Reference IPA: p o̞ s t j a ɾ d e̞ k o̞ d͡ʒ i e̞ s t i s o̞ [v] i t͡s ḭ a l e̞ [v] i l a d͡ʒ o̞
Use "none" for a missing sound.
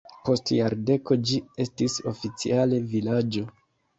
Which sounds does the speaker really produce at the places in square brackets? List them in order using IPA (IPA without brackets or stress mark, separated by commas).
f, v